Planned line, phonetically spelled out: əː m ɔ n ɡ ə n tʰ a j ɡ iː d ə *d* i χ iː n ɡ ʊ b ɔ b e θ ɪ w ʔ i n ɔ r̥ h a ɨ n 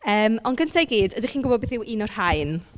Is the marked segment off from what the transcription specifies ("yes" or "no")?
no